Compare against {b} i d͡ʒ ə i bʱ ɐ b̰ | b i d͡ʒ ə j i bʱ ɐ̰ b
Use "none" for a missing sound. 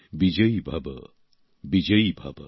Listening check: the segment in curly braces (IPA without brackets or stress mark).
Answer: b